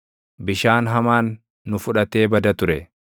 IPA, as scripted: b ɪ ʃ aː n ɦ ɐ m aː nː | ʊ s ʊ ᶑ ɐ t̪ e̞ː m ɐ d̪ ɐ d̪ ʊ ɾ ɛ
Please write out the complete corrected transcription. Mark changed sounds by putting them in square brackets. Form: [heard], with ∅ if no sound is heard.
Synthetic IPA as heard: b ɪ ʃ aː n ɦ ɐ m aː nː | ʊ [f] ʊ ᶑ ɐ t̪ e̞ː [b] ɐ d̪ ɐ [t̪] ʊ ɾ ɛ